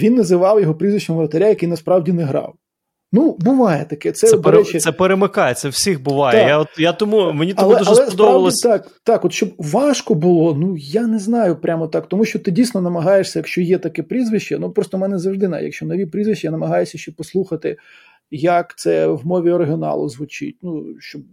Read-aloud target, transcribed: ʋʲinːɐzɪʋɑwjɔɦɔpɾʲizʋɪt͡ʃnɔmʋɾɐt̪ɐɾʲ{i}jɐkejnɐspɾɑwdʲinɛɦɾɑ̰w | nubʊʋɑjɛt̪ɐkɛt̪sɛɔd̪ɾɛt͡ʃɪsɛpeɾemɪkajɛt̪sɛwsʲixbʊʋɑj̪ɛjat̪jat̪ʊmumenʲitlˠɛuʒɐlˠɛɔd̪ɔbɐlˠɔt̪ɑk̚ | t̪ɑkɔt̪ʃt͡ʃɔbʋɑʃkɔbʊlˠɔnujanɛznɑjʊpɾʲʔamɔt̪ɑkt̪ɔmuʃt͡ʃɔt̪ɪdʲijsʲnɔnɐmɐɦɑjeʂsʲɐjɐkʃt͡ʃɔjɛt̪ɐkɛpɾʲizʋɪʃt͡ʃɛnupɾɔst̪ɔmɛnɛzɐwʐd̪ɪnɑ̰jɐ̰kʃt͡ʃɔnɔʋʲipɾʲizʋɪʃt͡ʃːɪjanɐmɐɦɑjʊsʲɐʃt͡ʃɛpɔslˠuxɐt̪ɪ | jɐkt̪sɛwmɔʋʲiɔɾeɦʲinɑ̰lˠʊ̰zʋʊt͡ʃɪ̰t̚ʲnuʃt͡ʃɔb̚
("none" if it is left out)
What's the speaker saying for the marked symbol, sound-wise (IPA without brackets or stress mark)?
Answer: a